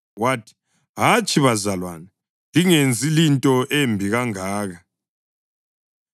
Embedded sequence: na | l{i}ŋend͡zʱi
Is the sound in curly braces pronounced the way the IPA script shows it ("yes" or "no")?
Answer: yes